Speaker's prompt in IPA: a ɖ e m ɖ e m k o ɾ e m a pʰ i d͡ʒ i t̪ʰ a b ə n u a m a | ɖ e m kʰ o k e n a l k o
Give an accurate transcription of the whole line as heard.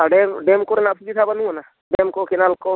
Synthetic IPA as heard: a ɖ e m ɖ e m k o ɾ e n a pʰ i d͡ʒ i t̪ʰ a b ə n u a n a | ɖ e m k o k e n a l k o